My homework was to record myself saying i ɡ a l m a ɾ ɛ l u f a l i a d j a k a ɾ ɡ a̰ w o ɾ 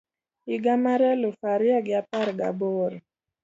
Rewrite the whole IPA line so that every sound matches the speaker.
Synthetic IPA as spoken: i ɡ a m a ɾ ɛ l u f a ɾ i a ɡ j a p a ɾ ɡ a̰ b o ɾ